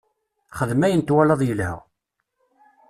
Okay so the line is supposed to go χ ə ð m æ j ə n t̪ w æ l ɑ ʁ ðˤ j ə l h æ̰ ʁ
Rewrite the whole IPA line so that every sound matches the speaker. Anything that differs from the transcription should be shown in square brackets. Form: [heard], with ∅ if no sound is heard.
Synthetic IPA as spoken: χ ə ð m æ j ə n t̪ w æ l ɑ [∅] ðˤ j ə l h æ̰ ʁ